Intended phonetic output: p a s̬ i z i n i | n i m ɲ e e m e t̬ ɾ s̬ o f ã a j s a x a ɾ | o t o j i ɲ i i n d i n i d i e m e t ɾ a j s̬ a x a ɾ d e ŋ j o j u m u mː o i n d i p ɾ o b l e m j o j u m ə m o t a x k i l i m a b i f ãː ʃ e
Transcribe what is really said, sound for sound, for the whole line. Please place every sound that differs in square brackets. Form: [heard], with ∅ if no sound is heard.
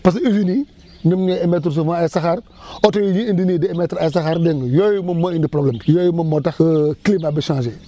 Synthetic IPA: p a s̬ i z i n i | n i m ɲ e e m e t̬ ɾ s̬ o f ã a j s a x a ɾ | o t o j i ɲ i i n d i n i d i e m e t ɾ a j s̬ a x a ɾ d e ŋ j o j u m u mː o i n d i p ɾ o b l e m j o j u m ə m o t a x k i l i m a b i [ʃ] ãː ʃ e